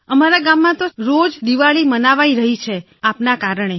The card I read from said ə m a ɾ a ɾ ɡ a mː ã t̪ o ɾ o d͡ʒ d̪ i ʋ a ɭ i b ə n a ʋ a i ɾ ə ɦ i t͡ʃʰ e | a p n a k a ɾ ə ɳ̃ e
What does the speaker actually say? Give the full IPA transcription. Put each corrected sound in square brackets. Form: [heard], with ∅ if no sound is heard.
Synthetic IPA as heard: ə m a ɾ a [∅] ɡ a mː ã t̪ o ɾ o d͡ʒ d̪ i ʋ a ɭ i [m] ə n a ʋ a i ɾ ə ɦ i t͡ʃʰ e | a p n a k a ɾ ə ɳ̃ e

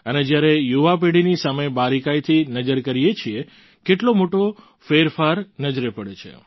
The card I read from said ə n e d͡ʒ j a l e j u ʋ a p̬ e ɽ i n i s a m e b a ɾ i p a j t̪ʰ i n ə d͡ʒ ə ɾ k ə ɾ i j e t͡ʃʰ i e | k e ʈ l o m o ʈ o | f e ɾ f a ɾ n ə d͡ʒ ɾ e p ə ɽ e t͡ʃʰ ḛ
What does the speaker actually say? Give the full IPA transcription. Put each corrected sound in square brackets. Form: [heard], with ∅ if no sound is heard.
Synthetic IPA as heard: ə n e d͡ʒ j a [ɾ] e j u ʋ a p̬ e ɽ i n i s a m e b a ɾ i [k] a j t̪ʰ i n ə d͡ʒ ə ɾ k ə ɾ i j e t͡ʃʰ i e | k e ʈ l o m o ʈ o | f e ɾ f a ɾ n ə d͡ʒ ɾ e p ə ɽ e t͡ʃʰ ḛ

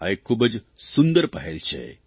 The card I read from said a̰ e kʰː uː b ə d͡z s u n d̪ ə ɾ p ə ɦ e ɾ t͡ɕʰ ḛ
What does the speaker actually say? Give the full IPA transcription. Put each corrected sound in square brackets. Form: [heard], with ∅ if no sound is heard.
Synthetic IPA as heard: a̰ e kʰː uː b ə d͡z s u n d̪ ə ɾ p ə ɦ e [l] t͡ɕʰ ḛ

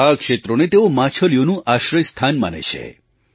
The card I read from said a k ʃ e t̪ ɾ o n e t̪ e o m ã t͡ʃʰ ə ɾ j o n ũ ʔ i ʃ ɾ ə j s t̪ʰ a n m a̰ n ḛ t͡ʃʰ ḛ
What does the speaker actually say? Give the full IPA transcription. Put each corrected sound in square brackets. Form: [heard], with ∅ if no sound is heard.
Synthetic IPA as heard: a k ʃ e t̪ ɾ o n e t̪ e o m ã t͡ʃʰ ə [l] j o n ũ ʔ [a] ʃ ɾ ə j s t̪ʰ a n m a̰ n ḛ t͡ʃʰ ḛ

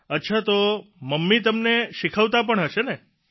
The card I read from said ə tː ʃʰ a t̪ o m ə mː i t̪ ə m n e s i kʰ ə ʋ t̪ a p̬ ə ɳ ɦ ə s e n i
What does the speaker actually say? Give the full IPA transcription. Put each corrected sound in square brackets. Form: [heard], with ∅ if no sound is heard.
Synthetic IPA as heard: ə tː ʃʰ a t̪ o m ə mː i t̪ ə m n e [ʃ] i kʰ ə ʋ t̪ a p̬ ə ɳ ɦ ə [ʃ] e n [e]

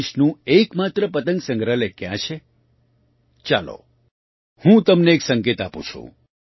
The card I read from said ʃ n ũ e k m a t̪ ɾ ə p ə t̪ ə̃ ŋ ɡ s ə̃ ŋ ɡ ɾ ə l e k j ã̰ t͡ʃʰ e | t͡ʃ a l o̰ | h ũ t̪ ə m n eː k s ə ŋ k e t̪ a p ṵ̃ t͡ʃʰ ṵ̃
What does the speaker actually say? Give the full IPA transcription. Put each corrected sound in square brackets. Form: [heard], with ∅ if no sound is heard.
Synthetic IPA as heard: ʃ n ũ e k m a t̪ ɾ ə p ə t̪ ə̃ ŋ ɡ s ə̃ ŋ ɡ ɾ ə l e k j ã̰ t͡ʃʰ e | t͡ʃ a l o̰ | h ũ t̪ ə m n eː k s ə ŋ k e t̪ a p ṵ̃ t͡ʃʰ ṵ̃

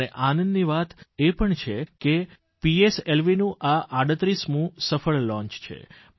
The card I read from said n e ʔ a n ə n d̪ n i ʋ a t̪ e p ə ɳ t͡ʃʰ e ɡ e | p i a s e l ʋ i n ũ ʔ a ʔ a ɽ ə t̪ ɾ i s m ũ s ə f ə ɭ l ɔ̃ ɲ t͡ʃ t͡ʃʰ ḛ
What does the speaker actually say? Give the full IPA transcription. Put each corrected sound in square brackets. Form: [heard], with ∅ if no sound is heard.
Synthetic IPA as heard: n e ʔ a n ə n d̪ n i ʋ a t̪ e p ə ɳ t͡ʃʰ e [k] e | p i [e] s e l ʋ i n ũ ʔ a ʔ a ɽ ə t̪ ɾ i s m ũ s ə f ə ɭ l ɔ̃ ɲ t͡ʃ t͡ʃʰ ḛ

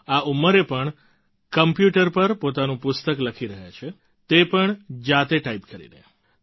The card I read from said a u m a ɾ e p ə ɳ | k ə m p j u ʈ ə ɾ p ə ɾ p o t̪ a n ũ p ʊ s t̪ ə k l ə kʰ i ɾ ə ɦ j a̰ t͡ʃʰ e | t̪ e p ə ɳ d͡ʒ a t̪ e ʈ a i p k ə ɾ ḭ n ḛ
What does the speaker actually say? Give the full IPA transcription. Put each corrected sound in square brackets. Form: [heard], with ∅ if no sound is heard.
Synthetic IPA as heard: a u m [ə] ɾ e p ə ɳ | k ə m p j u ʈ ə ɾ p ə ɾ p o t̪ a n ũ p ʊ s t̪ ə k l ə kʰ i ɾ ə ɦ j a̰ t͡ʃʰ e | t̪ e p ə ɳ d͡ʒ a t̪ e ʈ a i p k ə ɾ ḭ n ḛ

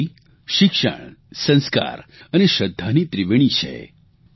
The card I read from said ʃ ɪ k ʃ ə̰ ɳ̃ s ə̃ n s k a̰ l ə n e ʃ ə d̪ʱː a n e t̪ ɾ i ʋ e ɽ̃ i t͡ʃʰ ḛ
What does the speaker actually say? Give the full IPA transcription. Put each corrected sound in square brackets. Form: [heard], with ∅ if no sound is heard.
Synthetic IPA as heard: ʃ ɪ k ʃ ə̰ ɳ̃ s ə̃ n s k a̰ [ɾ] ə n e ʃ ə d̪ʱː a n [i] t̪ ɾ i ʋ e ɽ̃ i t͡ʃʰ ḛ

